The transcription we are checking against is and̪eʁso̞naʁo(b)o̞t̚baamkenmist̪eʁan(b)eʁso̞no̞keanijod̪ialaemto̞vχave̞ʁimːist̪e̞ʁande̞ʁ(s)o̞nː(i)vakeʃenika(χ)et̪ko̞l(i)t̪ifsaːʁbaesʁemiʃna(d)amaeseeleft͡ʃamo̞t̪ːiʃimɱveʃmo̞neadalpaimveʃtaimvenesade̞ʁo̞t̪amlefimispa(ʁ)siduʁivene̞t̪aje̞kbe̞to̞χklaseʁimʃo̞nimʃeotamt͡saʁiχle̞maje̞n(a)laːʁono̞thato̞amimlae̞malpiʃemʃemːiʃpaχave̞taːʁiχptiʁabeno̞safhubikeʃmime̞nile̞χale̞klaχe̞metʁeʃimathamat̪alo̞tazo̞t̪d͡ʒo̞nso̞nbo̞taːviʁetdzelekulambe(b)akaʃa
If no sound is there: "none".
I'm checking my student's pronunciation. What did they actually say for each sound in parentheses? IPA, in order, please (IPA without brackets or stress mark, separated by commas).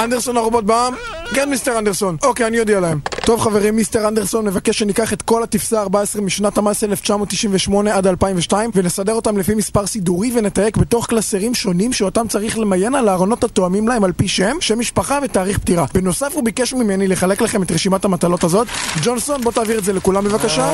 b, d, s, e, χ, a, t, ʁ, a, v